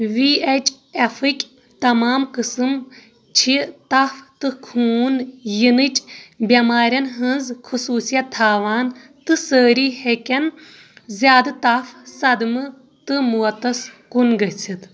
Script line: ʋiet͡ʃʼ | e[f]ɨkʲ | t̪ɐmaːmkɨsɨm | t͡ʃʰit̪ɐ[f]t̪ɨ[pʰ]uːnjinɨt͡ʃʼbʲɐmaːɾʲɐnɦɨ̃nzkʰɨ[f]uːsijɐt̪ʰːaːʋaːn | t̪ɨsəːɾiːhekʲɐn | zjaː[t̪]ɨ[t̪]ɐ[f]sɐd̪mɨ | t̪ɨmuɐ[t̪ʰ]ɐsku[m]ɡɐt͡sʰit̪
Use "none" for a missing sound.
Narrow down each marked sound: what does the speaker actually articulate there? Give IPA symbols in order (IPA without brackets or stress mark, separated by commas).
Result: f, f, kʰ, s, d̪, t̪, f, t̪, n